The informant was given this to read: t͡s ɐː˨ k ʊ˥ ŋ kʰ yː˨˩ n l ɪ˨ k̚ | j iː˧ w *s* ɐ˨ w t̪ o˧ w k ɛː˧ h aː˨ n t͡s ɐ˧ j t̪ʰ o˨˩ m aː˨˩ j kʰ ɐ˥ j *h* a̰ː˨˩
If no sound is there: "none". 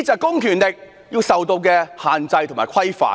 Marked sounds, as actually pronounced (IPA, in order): s, f

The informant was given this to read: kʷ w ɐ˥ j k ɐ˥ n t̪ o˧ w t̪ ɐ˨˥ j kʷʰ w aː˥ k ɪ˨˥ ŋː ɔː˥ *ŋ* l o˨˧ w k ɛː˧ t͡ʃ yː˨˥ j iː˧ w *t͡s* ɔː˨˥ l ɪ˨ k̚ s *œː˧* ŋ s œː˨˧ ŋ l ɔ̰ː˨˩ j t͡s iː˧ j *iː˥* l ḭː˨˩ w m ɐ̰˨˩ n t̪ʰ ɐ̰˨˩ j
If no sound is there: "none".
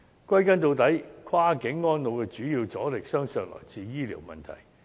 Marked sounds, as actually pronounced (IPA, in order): n, t͡s, œː˥, iː˥

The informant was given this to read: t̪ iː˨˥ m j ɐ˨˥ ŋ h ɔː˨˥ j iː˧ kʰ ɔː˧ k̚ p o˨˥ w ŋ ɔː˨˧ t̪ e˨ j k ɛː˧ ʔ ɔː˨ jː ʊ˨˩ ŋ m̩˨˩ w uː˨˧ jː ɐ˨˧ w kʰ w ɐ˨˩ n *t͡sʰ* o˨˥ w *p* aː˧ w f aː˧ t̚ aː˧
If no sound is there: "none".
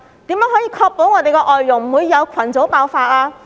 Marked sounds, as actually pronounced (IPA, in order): t͡s, p

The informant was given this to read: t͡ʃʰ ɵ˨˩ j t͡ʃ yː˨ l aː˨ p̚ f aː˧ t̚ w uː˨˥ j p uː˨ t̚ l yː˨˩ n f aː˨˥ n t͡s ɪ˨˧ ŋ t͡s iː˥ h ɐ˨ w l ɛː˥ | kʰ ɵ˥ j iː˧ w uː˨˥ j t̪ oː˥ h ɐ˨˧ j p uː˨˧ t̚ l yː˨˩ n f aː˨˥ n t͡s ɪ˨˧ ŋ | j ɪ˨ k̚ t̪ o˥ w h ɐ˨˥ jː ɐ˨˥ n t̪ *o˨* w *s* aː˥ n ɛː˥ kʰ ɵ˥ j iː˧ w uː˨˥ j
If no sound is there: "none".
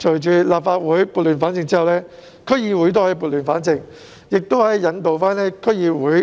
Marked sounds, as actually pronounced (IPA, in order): o˨, f

